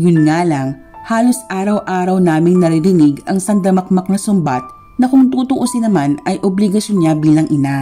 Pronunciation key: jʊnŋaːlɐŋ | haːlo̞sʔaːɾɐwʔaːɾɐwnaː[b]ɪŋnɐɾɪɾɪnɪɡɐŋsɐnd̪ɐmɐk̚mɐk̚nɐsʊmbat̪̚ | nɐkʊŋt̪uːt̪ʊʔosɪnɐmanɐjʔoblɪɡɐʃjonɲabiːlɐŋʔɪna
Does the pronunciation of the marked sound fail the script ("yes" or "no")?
yes